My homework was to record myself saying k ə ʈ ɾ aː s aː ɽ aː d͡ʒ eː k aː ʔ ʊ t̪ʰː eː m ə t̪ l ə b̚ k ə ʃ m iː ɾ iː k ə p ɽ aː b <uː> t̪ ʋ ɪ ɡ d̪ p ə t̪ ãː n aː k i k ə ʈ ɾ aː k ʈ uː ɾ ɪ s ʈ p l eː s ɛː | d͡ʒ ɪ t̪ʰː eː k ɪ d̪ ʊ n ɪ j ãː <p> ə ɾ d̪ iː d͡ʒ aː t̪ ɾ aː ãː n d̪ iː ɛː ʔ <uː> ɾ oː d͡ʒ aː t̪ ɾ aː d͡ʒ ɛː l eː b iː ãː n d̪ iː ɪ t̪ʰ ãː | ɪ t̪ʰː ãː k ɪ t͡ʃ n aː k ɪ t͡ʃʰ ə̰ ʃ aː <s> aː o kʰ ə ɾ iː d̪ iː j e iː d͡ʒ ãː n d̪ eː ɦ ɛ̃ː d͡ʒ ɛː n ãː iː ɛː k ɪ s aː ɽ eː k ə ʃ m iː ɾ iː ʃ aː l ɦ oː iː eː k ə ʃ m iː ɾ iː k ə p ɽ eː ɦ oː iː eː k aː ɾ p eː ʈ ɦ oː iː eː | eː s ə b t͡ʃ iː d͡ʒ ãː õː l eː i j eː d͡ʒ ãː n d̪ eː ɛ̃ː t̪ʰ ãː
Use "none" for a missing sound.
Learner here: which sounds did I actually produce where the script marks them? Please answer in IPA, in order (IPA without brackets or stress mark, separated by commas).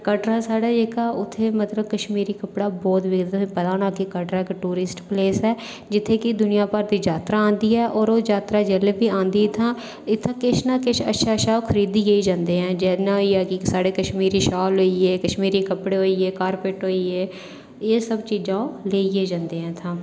ɔː, p, ɔː, ʃ